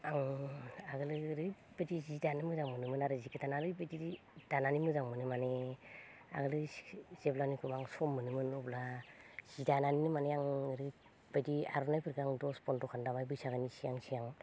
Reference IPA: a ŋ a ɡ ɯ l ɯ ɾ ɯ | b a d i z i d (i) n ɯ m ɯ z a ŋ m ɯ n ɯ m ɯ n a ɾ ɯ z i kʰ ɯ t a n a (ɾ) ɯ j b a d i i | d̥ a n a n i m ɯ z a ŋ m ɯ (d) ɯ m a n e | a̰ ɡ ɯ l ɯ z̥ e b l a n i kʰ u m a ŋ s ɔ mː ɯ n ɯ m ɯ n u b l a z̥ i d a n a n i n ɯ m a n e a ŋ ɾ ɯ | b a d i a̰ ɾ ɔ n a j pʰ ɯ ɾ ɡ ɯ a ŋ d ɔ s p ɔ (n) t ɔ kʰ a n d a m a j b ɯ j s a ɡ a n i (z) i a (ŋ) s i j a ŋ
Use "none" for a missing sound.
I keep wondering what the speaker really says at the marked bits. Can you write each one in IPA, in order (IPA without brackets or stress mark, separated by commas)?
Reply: a, ɾ, n, n, s, ŋ